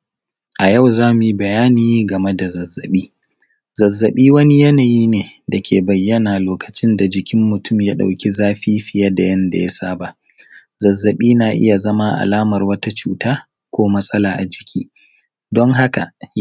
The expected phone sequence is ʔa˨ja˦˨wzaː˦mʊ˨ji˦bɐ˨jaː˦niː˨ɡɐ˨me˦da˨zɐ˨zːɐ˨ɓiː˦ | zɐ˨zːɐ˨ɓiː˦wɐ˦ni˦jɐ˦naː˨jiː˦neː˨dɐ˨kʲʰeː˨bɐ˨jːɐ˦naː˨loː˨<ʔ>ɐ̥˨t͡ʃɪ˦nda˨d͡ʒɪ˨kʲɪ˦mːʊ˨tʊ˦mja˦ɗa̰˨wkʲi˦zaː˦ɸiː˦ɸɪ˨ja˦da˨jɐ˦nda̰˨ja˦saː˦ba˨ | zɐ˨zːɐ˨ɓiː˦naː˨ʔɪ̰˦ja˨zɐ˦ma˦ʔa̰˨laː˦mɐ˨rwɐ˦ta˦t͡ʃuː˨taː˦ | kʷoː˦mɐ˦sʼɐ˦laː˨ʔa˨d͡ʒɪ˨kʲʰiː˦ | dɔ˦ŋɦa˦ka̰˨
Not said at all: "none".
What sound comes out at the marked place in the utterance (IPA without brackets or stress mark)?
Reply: k